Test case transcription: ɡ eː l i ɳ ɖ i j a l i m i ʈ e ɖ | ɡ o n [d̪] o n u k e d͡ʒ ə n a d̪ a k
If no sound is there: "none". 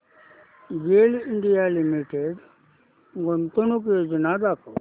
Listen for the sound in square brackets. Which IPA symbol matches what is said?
t̪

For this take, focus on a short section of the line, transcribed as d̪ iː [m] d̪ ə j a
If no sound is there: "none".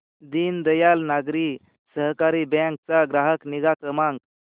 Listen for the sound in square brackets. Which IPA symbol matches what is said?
n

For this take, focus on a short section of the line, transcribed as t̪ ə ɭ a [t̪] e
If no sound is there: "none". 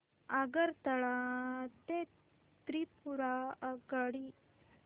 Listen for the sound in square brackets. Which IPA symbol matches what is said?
t̪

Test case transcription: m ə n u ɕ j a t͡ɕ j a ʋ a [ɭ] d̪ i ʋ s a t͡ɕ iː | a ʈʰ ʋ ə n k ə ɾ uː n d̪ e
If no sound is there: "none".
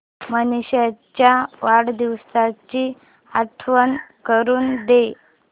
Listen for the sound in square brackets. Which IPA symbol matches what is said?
ɽ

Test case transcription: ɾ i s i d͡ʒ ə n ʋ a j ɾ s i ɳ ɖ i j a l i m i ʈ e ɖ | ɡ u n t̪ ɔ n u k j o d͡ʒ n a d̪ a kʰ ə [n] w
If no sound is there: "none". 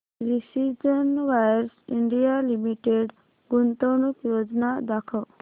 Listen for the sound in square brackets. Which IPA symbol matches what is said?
none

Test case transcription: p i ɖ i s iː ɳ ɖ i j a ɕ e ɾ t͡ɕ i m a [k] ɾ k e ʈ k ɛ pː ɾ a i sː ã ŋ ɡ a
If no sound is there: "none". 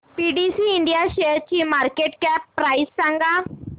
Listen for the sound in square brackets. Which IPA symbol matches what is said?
none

